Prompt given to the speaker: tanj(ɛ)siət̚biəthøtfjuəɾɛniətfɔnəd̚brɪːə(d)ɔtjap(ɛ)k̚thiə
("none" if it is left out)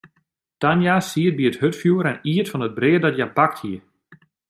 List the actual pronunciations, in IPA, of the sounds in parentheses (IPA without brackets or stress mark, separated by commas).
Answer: a, d, a